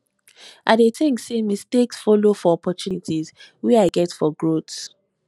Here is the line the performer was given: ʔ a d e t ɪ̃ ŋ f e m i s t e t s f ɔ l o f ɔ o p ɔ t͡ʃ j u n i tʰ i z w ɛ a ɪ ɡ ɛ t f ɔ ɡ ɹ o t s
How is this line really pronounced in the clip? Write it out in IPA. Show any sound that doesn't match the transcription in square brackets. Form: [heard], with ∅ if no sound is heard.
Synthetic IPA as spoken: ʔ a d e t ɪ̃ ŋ [s] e m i s t e [k] s f ɔ l o f ɔ [ɔ] p ɔ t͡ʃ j u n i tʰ i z w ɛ a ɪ ɡ ɛ t f ɔ ɡ ɹ o t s